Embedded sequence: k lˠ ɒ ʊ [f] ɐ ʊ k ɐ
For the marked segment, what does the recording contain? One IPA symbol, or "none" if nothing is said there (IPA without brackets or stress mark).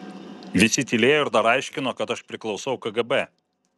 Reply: s